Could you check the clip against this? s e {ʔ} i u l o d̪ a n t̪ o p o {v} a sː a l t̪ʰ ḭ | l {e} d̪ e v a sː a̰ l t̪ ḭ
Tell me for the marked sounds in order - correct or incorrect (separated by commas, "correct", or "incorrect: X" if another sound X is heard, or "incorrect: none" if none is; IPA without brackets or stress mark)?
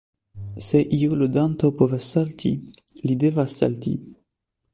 correct, correct, incorrect: i